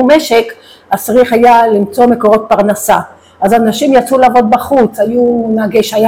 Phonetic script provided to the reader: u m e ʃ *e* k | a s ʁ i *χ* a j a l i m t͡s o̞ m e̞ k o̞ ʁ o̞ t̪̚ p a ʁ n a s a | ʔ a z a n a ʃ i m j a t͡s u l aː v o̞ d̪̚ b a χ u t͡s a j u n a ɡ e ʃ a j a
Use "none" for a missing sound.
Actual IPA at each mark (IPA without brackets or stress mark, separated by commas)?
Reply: e, χ